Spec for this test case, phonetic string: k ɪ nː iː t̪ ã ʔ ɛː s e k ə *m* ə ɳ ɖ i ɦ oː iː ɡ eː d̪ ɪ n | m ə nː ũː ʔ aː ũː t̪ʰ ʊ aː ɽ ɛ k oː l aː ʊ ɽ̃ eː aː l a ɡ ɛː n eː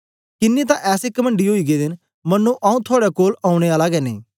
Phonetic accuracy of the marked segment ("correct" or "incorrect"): correct